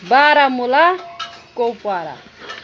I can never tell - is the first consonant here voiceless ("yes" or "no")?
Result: no